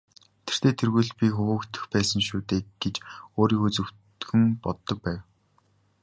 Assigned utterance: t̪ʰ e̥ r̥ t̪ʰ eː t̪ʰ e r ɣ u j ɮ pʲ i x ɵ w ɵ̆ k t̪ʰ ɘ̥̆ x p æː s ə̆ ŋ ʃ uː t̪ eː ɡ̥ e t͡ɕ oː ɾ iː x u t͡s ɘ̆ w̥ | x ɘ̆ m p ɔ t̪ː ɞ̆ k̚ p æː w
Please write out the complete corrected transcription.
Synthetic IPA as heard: t̪ʰ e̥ r̥ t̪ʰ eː t̪ʰ e r ɣ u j ɮ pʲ i x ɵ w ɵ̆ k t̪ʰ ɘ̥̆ x p æː s ə̆ ŋ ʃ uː t̪ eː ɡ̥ e t͡ɕ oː ɾ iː x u t͡s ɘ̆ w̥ | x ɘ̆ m p ɔ t̪ː ɞ̆ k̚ p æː w